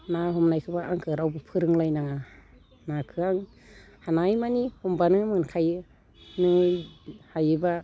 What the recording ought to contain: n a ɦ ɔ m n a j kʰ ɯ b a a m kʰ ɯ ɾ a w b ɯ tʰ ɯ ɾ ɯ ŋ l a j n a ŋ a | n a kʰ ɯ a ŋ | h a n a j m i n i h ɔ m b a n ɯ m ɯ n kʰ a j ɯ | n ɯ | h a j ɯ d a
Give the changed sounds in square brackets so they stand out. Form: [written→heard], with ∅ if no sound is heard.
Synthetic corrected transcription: n a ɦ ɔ m n a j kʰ ɯ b a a [m→ŋ] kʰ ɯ ɾ a w b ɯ [tʰ→pʰ] ɯ ɾ ɯ ŋ l a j n a ŋ a | n a kʰ ɯ a ŋ | h a n a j m [i→a] n i h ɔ m b a n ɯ m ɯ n kʰ a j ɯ | n ɯ | h a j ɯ [d→b] a